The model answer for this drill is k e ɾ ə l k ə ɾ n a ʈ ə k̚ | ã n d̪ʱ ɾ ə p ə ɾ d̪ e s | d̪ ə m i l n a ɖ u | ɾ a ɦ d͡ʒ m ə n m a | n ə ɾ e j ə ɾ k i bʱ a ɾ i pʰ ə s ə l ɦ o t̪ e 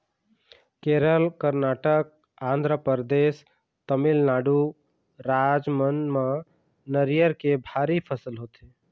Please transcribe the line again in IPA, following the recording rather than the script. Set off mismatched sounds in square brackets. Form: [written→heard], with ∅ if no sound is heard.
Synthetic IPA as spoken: k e ɾ ə l k ə ɾ n a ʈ ə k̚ | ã n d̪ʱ ɾ ə p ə ɾ d̪ e s | [d̪→t̪] ə m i l n a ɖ u | ɾ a [ɦ→∅] d͡ʒ m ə n m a | n ə ɾ [e→i] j ə ɾ k [i→e] bʱ a ɾ i pʰ ə s ə l ɦ o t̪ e